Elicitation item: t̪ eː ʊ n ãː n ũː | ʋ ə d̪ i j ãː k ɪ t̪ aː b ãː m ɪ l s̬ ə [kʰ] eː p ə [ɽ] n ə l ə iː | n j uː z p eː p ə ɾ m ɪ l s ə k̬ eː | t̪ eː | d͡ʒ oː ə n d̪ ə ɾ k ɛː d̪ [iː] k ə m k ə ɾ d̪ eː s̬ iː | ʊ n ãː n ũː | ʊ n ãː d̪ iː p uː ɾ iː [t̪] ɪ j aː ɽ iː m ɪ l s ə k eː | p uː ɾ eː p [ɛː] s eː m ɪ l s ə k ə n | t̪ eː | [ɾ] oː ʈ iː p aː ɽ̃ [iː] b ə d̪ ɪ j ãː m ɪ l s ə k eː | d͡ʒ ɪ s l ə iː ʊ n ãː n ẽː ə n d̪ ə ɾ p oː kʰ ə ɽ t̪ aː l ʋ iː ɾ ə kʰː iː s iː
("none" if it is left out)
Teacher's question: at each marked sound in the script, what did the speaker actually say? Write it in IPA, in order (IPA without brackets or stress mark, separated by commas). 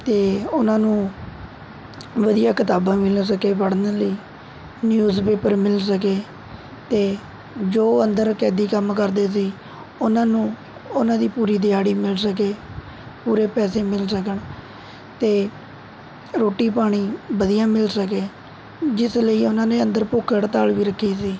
k, ɽ, iː, d̪, ɛː, ɾ, iː